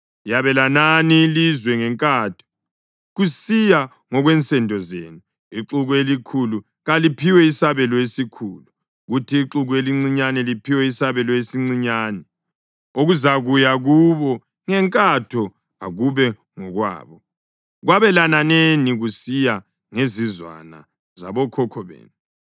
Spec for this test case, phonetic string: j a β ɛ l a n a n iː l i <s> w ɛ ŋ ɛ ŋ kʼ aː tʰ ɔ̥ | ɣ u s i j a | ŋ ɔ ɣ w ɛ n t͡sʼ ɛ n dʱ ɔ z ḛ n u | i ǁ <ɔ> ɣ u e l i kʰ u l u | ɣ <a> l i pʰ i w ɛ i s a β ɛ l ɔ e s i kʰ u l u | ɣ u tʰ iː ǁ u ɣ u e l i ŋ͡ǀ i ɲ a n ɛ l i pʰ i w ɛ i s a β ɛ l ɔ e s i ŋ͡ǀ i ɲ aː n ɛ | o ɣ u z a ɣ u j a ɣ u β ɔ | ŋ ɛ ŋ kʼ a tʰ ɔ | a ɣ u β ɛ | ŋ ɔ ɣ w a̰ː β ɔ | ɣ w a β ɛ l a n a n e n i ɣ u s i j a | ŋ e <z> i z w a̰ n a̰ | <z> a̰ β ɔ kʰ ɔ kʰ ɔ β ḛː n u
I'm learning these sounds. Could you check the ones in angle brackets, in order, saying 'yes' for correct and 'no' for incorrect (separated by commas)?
no, no, yes, yes, yes